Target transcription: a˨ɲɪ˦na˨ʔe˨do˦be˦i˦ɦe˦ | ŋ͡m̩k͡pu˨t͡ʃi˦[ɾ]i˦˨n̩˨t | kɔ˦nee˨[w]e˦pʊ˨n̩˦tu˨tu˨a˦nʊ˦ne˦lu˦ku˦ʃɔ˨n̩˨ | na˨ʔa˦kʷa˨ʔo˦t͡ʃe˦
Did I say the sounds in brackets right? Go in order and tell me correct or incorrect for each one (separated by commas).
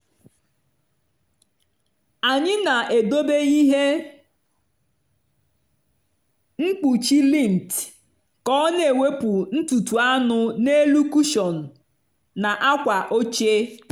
incorrect, correct